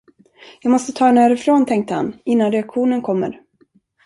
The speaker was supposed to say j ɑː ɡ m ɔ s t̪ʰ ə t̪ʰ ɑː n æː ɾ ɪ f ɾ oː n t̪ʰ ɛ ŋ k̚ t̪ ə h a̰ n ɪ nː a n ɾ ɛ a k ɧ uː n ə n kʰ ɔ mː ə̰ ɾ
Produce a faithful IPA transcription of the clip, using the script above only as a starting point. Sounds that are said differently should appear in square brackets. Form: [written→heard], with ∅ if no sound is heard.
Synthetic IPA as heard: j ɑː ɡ m ɔ s [t̪ʰ→t̪] ə t̪ʰ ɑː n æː ɾ ɪ f ɾ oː n t̪ʰ ɛ ŋ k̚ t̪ ə h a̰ n ɪ nː a n ɾ ɛ a k ɧ uː n ə n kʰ ɔ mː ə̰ ɾ